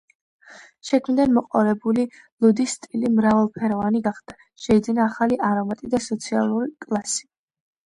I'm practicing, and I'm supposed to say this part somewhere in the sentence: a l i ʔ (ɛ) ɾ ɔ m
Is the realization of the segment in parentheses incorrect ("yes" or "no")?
yes